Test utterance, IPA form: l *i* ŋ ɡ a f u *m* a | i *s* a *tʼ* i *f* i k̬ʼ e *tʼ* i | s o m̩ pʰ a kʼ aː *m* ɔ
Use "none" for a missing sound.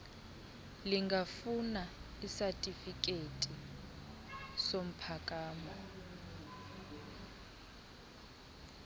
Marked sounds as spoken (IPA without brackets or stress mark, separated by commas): i, n, s, tʼ, f, tʼ, m